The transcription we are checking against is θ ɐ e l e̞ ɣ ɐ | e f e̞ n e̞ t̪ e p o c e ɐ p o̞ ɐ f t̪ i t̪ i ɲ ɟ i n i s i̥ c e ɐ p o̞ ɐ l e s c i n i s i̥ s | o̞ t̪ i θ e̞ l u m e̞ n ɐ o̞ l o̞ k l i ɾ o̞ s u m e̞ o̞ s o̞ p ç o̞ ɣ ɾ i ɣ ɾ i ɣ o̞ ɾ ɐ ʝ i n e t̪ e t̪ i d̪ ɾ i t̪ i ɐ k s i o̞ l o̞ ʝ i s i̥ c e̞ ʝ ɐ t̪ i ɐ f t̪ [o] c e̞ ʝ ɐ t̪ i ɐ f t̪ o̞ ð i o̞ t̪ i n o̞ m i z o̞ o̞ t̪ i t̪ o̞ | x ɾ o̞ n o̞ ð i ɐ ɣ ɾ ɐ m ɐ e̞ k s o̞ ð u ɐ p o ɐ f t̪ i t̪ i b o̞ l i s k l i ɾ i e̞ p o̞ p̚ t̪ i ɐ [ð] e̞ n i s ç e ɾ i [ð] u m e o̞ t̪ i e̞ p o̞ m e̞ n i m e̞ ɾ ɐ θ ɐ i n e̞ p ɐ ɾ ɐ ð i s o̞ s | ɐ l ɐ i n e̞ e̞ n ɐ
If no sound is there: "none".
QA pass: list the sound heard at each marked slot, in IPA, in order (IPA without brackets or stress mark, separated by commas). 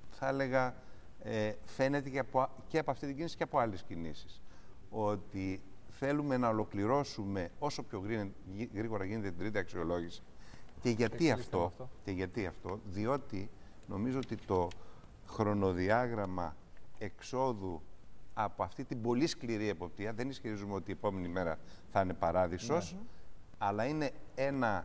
o, ð, z